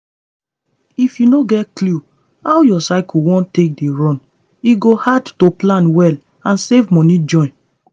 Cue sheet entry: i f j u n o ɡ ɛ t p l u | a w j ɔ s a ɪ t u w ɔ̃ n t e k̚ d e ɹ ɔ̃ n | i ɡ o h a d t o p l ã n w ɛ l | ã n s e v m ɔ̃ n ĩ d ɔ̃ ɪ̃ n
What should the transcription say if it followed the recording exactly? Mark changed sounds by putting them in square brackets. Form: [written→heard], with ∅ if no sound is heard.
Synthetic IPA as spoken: i f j u n o ɡ ɛ t [p→k] l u | a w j ɔ s a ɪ [t→k] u w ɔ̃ n t e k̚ d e ɹ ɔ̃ n | i ɡ o h a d t o p l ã n w ɛ l | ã n s e v m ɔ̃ n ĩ [d→d͡ʒ] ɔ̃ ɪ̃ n